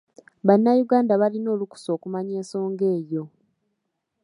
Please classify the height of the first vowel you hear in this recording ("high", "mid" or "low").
low